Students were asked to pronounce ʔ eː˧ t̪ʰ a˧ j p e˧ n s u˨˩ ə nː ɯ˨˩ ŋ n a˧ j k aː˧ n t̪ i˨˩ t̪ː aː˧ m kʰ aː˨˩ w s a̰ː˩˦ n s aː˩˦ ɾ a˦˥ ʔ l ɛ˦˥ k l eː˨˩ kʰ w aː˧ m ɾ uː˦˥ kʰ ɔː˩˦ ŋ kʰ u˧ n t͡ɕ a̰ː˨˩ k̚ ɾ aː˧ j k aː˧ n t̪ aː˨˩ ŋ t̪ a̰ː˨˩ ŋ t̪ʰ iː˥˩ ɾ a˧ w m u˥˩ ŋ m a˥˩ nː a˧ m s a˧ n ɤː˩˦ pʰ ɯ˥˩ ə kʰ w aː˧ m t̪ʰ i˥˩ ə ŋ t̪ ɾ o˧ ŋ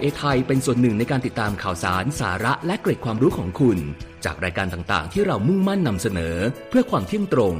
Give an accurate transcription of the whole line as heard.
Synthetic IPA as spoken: ʔ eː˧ t̪ʰ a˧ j p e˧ n s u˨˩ ə nː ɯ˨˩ ŋ n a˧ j k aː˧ n t̪ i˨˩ t̪ː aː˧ m kʰ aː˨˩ w s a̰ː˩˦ n s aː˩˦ ɾ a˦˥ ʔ l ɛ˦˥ k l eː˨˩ kʰ w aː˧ m ɾ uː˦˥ kʰ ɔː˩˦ ŋ kʰ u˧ n t͡ɕ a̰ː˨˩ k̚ ɾ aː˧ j k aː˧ n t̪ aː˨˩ ŋ t̪ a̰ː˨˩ ŋ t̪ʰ iː˥˩ ɾ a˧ w m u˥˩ ŋ m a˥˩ nː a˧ m s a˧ n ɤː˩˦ pʰ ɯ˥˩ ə kʰ w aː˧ m t̪ʰ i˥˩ ə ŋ t̪ ɾ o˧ ŋ